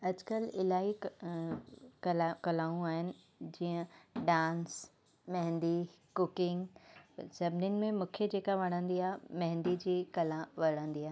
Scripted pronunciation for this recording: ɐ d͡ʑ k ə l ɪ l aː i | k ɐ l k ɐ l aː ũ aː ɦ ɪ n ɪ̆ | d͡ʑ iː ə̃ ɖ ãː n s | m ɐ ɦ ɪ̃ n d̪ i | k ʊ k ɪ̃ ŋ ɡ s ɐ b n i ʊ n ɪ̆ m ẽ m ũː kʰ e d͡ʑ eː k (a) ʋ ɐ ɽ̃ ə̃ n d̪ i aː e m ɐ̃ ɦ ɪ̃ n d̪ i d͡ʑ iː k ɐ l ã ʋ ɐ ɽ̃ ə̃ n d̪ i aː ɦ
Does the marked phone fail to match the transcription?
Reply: no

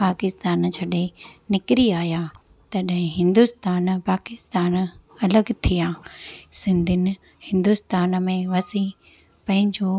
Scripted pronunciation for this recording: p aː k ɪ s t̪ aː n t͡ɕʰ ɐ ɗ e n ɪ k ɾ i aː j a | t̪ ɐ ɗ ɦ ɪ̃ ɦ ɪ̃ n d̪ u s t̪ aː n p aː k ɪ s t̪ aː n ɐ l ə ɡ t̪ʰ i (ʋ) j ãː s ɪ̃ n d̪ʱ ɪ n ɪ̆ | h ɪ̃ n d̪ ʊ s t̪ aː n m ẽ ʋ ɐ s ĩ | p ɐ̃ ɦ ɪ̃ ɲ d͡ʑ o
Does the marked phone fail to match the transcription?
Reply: yes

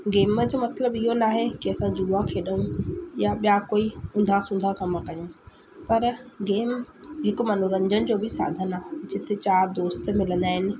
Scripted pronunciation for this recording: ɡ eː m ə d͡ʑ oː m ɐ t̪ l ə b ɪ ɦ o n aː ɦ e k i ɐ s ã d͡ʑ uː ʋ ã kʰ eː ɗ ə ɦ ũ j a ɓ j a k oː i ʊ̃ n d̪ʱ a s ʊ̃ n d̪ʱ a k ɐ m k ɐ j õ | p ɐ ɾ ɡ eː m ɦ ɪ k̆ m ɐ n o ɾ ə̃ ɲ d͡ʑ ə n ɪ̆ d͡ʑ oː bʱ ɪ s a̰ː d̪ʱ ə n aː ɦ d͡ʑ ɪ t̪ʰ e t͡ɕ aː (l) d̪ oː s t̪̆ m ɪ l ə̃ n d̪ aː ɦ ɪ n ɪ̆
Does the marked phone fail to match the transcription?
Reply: yes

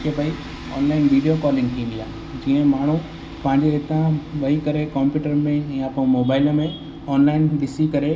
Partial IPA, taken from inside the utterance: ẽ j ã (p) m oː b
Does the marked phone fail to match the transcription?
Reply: no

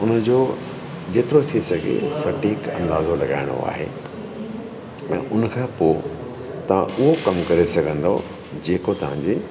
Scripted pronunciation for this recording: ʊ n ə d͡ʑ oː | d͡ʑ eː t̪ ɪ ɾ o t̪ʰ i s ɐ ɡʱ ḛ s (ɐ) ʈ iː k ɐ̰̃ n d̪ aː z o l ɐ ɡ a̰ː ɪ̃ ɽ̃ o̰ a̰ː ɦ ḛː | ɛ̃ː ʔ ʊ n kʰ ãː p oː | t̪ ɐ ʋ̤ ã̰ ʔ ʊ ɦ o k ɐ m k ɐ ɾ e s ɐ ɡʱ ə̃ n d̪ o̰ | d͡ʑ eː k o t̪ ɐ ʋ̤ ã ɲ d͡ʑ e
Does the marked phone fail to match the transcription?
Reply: no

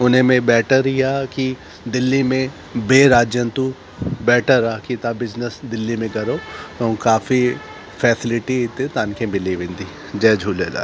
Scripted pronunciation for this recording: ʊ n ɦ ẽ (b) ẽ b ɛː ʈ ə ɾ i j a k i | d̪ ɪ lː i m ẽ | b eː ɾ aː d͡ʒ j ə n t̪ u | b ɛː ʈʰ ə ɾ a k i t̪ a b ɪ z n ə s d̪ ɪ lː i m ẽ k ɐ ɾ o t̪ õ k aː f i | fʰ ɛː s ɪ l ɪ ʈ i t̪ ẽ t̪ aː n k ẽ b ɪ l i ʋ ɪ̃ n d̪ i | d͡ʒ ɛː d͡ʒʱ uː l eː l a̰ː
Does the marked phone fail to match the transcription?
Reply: yes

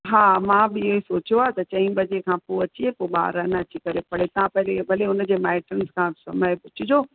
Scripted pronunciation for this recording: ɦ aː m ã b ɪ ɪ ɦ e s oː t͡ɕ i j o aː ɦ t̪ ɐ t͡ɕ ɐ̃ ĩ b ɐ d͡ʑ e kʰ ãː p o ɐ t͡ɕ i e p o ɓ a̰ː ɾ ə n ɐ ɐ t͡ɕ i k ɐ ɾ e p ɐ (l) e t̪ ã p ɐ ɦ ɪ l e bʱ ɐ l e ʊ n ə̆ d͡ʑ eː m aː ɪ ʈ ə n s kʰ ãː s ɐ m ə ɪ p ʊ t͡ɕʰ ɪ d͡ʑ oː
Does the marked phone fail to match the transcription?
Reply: yes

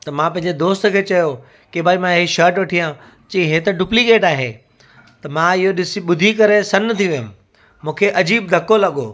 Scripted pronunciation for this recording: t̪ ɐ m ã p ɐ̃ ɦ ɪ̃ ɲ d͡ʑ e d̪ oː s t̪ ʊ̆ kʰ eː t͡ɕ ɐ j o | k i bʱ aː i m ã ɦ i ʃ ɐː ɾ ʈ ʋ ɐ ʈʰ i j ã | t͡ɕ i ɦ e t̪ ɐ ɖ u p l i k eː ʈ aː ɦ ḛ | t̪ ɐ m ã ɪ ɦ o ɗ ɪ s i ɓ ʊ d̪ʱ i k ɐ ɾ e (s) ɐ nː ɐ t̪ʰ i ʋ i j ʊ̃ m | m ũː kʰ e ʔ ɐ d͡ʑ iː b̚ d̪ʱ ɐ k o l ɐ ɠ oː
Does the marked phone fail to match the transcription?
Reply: no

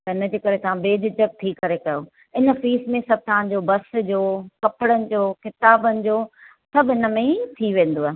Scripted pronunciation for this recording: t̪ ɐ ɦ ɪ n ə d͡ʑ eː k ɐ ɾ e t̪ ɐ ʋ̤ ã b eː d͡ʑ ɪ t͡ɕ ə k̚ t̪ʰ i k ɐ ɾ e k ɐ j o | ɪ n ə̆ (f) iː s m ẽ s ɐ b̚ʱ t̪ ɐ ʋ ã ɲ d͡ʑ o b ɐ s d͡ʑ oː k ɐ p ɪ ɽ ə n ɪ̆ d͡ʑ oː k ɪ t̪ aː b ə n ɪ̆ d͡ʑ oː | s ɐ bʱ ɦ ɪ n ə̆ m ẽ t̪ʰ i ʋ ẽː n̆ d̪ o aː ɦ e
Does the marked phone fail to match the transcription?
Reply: no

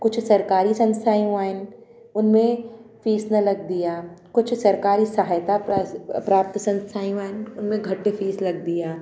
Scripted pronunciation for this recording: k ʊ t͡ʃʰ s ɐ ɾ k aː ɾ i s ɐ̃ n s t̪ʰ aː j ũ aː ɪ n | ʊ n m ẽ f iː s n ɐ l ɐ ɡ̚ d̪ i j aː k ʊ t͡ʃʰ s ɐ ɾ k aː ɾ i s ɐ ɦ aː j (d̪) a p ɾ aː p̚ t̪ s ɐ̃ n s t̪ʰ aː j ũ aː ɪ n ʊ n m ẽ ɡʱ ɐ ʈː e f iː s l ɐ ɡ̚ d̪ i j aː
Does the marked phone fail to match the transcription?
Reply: yes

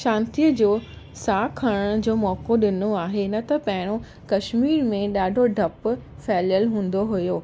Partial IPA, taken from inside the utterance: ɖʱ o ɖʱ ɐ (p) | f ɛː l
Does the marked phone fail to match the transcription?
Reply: no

